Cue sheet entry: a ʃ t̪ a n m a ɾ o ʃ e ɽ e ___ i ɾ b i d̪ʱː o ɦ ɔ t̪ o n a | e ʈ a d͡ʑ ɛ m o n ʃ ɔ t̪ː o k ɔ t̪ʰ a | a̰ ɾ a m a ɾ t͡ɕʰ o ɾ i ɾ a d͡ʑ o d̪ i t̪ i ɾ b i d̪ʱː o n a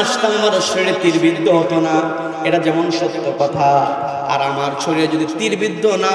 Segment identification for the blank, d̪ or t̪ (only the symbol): t̪